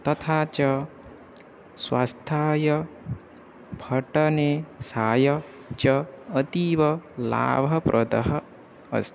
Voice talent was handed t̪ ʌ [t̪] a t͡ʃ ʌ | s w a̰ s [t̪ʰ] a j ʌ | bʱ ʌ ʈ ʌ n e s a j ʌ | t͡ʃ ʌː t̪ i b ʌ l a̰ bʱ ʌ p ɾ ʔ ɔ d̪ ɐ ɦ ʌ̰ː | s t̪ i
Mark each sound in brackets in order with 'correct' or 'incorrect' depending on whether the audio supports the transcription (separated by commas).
incorrect, correct